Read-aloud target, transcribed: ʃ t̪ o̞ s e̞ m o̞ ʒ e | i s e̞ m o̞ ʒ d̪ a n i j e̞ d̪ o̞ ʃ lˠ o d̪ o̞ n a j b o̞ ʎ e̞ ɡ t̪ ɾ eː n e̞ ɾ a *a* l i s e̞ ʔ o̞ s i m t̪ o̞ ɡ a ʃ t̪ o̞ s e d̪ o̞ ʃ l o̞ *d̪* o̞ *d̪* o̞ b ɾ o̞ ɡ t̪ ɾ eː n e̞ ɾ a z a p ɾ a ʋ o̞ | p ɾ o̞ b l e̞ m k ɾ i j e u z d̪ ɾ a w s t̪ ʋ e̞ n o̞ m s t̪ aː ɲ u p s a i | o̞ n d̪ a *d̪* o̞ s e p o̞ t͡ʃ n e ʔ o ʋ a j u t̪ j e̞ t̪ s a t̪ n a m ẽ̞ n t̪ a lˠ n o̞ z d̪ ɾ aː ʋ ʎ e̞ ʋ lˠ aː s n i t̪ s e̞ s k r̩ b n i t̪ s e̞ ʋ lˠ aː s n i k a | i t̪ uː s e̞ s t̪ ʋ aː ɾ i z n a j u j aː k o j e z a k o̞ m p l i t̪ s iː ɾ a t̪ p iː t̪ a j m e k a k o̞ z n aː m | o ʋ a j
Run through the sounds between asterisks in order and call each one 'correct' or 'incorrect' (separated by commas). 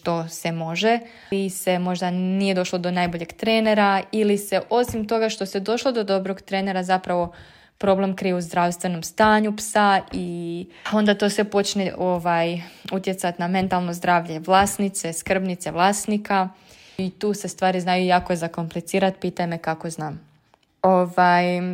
incorrect, correct, correct, incorrect